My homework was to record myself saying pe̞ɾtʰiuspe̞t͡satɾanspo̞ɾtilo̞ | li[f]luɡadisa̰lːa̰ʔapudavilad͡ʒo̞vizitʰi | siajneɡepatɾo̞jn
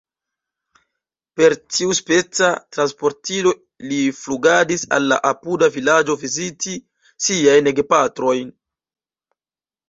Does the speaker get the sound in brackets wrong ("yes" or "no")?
no